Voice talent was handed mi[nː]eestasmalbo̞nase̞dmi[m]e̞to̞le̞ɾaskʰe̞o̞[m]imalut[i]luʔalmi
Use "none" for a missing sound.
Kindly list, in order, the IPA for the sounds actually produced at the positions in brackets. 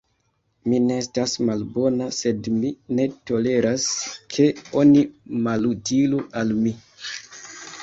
n, n, n, i

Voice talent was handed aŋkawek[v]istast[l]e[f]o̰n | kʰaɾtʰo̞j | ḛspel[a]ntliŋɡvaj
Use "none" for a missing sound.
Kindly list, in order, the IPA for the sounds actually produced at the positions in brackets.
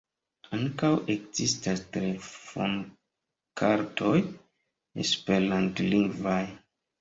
z, ɾ, f, a

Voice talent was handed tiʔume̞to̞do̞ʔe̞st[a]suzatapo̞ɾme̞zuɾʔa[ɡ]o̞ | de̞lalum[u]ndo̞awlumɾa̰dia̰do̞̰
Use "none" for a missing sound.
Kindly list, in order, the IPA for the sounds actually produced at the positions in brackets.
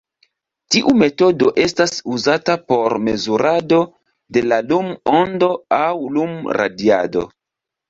a, d, o

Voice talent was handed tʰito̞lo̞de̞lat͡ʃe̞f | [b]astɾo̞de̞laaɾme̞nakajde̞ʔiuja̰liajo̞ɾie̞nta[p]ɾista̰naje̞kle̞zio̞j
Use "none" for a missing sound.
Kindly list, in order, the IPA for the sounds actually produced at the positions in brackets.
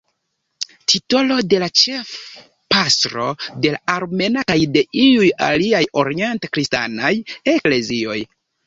p, k

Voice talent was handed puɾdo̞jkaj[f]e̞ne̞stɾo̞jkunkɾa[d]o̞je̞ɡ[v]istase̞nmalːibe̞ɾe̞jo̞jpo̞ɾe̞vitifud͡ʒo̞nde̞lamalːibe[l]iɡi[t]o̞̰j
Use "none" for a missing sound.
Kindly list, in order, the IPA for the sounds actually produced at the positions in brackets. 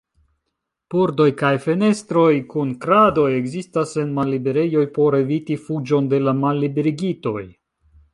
f, d, z, ɾ, t

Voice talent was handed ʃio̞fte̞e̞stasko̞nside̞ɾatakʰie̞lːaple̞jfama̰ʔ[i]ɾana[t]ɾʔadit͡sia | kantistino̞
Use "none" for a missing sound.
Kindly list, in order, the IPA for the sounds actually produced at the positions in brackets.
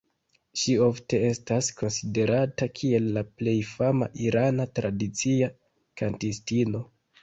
i, t

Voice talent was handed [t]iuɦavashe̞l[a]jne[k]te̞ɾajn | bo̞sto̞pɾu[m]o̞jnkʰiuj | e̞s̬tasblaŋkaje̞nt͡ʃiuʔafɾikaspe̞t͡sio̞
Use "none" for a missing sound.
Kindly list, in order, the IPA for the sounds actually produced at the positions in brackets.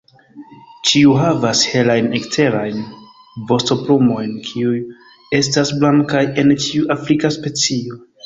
t͡ʃ, a, k, m

